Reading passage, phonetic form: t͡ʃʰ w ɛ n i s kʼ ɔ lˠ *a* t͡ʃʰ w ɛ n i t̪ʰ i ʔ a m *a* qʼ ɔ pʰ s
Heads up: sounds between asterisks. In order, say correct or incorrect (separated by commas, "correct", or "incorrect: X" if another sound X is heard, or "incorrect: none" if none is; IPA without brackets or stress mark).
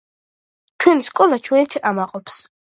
correct, correct